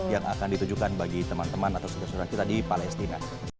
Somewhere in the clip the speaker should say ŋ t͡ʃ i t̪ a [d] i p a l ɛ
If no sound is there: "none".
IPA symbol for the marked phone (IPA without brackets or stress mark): d